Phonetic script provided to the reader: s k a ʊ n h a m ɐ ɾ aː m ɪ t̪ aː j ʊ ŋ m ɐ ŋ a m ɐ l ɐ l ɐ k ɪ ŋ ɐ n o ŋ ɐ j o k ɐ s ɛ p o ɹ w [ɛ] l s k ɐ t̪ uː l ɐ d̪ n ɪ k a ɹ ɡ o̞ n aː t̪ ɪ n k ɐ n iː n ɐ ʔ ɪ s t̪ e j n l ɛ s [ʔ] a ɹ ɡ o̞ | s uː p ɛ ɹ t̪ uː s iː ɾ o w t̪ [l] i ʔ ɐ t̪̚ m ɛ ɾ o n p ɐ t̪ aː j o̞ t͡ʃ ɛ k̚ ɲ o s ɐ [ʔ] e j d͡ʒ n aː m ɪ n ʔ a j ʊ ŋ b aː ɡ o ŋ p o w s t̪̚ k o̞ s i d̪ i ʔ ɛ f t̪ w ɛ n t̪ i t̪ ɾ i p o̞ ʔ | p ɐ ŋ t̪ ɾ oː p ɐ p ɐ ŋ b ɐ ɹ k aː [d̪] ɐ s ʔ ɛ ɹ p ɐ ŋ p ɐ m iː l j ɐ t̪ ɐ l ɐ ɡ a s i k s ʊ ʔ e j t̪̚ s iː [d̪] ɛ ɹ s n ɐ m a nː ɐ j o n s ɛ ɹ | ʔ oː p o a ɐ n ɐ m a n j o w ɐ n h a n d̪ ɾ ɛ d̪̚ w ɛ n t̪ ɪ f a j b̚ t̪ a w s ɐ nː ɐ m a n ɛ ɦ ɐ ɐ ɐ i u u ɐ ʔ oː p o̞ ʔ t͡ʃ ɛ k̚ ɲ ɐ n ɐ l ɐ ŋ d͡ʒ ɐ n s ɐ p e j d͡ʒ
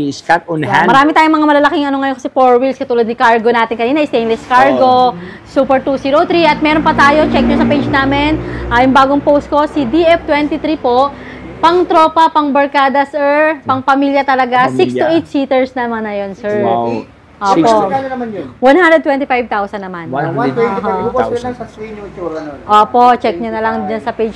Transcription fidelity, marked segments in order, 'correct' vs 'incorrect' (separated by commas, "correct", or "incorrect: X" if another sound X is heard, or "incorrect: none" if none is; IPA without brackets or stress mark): incorrect: i, incorrect: k, incorrect: ɾ, incorrect: p, correct, incorrect: t̪